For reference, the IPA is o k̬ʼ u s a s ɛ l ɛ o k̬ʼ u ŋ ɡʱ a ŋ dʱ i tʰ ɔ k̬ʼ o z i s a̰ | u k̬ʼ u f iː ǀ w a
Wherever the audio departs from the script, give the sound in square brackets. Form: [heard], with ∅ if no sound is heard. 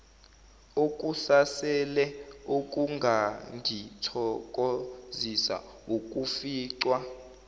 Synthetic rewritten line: o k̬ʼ u s a s ɛ l ɛ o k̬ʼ u ŋ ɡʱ a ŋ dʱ i tʰ ɔ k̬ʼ o z i s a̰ | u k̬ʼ u f iː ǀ w a